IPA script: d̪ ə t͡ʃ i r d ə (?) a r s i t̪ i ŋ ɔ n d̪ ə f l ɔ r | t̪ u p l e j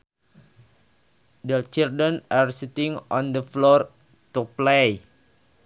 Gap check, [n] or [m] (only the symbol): n